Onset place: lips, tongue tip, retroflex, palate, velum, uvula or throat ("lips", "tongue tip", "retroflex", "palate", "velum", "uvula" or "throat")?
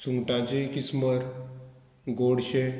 tongue tip